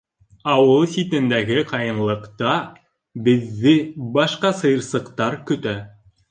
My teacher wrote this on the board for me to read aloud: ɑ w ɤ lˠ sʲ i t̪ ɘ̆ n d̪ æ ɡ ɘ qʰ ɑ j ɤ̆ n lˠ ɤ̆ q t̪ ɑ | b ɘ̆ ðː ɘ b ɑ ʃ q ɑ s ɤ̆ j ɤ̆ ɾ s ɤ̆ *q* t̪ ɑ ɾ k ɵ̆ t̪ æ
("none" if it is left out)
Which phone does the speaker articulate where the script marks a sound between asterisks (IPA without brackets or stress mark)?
q